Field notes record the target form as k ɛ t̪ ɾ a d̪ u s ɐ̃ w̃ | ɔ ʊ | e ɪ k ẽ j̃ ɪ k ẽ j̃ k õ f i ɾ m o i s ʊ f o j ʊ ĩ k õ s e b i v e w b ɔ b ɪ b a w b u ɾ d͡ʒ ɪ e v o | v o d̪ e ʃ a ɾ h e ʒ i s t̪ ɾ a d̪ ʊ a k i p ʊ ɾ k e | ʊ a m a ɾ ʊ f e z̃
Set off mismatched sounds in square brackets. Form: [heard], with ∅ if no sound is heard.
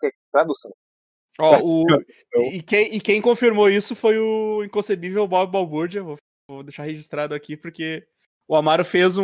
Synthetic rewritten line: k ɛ t̪ ɾ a d̪ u s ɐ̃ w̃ | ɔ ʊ | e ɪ k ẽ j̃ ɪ k ẽ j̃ k õ f i ɾ m o i s ʊ f o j ʊ ĩ k õ s e b i v e w b ɔ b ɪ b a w b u ɾ d͡ʒ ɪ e v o | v o d̪ e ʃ a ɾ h e ʒ i s t̪ ɾ a d̪ ʊ a k i p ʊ ɾ k e | ʊ a m a ɾ ʊ f e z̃